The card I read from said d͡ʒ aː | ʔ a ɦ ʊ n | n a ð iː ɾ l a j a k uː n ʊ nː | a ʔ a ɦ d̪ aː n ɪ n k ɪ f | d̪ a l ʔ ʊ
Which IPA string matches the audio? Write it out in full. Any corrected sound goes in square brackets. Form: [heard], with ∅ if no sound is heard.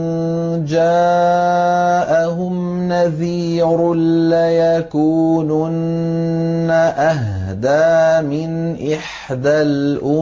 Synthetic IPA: d͡ʒ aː | ʔ a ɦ ʊ [m] | n a ð iː ɾ l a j a k uː n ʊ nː | a ʔ a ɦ d̪ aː [m] ɪ n [ʔ] ɪ [ħ] | d̪ a l ʔ ʊ

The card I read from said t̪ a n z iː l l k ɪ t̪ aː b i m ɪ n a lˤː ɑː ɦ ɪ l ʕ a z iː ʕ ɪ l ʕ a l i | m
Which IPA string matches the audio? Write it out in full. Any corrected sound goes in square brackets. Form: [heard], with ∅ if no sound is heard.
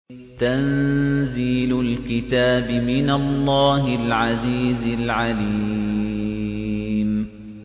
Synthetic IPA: t̪ a n z iː l l k ɪ t̪ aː b [ɪ] m ɪ n a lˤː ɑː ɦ ɪ l ʕ a z iː [z] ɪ l ʕ a l i | m

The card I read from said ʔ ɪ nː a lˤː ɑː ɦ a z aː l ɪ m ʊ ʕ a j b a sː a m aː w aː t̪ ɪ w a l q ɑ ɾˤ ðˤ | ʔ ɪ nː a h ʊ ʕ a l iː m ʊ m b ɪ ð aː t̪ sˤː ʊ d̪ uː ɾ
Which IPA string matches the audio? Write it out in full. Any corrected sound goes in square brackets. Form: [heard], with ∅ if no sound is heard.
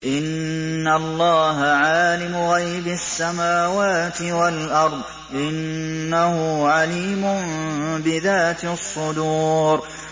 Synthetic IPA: ʔ ɪ nː a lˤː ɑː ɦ a [ʕ] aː l ɪ m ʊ [ɣ] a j b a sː a m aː w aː t̪ ɪ w a l [ʔ] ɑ ɾˤ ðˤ | ʔ ɪ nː a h ʊ ʕ a l iː m ʊ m b ɪ ð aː t̪ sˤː ʊ d̪ uː ɾ

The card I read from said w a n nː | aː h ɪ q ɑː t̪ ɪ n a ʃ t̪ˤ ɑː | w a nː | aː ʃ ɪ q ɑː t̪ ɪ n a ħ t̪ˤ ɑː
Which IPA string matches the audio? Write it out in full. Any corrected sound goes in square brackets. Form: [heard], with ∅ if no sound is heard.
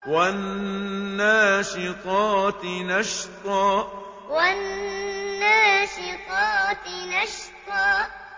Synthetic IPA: w a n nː | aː [ʃ] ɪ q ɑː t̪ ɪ n a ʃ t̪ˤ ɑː | w a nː | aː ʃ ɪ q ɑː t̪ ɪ n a [ʃ] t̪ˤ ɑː

